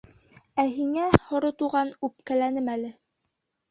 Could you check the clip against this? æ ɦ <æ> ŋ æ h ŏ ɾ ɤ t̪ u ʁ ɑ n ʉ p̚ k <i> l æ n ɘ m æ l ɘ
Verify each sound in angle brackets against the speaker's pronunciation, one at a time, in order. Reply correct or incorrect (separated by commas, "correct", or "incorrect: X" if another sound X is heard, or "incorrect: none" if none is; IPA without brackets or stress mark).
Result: incorrect: i, incorrect: æ